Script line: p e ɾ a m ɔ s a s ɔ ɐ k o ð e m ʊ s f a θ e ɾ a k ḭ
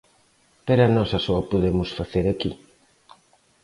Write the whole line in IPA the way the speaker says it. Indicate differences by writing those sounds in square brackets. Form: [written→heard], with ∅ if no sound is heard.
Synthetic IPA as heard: p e ɾ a [m→n] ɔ s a s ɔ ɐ [k→p] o ð e m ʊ s f a θ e ɾ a k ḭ

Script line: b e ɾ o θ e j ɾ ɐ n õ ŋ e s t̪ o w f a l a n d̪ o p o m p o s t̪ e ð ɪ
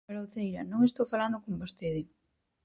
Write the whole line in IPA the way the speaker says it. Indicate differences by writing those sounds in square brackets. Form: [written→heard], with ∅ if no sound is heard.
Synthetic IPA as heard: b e ɾ o θ e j ɾ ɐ n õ ŋ e s t̪ o w f a l a n d̪ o [p→k] o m [p→b] o s t̪ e ð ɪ

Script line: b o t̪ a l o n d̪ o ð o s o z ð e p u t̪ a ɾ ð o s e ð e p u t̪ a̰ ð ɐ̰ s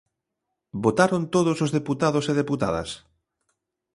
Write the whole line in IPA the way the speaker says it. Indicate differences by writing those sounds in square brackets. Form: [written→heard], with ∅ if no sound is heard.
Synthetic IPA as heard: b o t̪ a [l→ɾ] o n [d̪→t̪] o ð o s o z ð e p u t̪ a [ɾ→∅] ð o s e ð e p u t̪ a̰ ð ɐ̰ s

